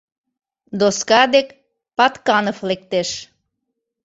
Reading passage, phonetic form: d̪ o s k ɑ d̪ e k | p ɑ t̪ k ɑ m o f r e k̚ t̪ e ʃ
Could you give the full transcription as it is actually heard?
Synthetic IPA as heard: d̪ o s k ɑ d̪ e k | p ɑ t̪ k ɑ n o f l e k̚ t̪ e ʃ